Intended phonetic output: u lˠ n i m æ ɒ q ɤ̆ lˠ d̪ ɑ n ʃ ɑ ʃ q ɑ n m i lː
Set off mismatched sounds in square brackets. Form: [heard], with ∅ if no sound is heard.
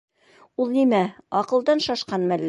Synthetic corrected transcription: u lˠ n i m æ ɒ q ɤ̆ lˠ d̪ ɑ n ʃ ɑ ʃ q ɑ n m [æ] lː